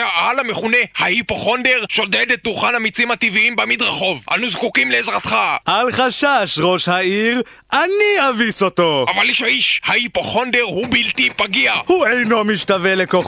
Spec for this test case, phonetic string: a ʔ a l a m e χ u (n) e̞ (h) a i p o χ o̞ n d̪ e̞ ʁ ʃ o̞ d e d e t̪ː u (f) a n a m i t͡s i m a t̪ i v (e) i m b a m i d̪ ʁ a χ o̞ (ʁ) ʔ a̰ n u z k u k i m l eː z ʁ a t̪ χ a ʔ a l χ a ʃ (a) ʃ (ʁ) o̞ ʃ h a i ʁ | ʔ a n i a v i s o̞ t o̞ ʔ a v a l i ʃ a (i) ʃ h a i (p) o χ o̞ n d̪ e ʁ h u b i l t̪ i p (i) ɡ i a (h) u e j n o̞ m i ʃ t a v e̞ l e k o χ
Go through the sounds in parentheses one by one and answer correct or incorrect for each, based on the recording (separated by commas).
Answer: correct, correct, incorrect, incorrect, incorrect, correct, correct, correct, correct, incorrect, correct